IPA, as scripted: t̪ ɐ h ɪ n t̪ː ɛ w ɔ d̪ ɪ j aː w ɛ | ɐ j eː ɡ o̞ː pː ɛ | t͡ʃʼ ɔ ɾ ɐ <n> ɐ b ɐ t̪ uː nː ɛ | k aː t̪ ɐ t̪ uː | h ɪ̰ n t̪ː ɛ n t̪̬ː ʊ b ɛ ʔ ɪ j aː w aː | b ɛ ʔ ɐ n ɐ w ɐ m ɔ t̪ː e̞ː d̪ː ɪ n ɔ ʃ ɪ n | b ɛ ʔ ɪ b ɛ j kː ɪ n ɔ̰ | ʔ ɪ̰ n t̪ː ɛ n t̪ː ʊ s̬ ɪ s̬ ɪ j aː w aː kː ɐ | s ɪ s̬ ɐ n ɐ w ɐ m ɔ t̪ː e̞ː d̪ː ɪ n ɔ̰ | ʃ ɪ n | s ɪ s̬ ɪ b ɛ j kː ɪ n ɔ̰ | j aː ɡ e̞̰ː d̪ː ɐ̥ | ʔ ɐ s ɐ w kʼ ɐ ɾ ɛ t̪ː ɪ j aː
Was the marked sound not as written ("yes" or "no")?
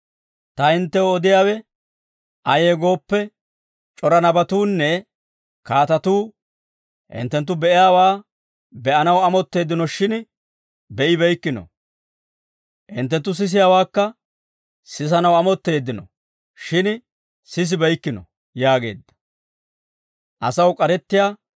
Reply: no